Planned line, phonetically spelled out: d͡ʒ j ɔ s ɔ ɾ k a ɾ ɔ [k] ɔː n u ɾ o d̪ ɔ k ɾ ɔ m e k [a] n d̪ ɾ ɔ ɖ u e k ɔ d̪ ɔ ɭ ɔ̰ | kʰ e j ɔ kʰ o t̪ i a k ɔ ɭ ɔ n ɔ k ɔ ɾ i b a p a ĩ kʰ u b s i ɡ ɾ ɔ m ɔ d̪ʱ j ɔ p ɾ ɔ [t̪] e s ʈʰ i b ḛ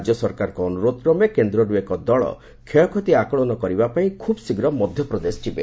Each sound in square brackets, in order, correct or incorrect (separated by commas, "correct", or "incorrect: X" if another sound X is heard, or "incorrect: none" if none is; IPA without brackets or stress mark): correct, incorrect: e, incorrect: d̪